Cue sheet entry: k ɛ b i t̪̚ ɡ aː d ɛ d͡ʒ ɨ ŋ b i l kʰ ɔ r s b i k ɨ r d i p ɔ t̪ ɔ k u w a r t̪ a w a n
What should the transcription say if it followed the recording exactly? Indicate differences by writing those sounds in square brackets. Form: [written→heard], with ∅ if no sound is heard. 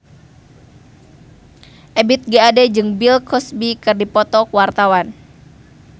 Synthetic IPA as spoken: [k→ʔ] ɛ b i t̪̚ ɡ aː d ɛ d͡ʒ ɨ ŋ b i l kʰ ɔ [r→∅] s b i k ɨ r d i p ɔ t̪ ɔ k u w a r t̪ a w a n